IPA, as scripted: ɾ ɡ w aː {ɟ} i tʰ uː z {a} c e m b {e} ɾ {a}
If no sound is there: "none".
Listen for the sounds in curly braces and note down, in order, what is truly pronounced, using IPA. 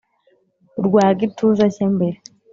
ɡ, a, e, e

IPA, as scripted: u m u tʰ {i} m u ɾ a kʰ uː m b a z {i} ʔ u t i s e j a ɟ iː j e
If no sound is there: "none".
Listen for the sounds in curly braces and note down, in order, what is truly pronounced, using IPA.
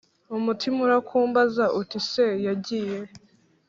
i, a

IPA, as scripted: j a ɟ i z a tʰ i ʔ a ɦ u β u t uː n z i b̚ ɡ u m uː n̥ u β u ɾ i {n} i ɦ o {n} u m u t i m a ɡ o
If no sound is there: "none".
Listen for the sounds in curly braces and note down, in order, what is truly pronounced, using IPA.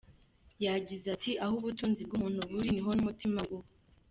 n, n

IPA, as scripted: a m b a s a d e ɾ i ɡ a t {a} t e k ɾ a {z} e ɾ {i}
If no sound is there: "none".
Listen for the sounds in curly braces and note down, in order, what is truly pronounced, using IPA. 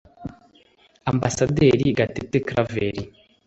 e, v, i

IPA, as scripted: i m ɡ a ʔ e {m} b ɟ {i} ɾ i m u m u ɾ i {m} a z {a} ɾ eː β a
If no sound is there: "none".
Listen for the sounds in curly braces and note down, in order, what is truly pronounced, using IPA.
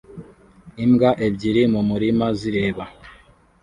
none, i, m, i

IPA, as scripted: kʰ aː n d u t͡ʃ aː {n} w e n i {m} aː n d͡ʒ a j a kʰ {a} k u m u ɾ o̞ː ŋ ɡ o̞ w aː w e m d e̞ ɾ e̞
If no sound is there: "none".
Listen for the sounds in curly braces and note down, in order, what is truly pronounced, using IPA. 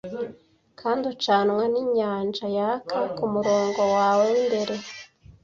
n, ɲ, a

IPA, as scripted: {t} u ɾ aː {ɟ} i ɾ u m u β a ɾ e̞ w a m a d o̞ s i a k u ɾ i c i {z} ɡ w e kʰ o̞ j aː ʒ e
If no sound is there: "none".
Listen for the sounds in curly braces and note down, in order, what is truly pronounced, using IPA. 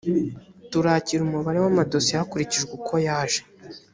t, c, ʒ

